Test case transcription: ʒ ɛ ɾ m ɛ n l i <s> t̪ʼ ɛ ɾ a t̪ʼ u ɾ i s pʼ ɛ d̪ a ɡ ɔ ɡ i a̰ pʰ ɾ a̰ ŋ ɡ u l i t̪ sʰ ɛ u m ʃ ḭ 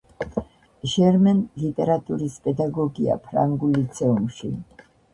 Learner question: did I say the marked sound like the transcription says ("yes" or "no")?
no